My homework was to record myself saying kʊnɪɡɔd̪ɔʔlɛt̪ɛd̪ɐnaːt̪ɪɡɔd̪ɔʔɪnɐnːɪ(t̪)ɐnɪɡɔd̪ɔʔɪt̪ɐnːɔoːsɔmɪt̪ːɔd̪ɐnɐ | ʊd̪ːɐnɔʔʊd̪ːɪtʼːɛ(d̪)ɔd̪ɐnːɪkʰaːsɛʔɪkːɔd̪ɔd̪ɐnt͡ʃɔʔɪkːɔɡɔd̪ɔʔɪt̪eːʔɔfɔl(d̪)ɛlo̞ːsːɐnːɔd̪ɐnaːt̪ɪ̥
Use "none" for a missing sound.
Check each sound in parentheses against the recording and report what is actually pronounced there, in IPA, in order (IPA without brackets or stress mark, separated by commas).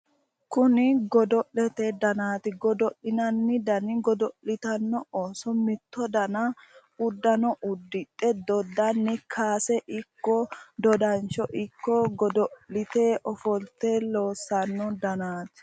d̪, d̪, t̪